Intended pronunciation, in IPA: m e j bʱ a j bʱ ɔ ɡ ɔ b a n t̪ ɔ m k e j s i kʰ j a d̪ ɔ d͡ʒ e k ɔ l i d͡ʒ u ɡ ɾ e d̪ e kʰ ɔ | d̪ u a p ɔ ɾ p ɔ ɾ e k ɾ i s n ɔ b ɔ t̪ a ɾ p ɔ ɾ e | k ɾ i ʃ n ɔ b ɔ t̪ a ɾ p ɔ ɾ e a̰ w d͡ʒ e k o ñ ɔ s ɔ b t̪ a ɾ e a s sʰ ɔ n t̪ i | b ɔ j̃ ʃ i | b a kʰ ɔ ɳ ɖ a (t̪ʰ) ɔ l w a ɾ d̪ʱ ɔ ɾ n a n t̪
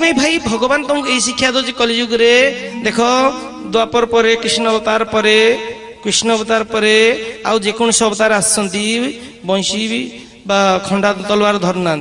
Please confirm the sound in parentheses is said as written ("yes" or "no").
no